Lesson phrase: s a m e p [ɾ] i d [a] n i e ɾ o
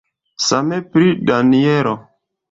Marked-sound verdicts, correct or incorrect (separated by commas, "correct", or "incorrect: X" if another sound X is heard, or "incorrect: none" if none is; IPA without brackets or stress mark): correct, correct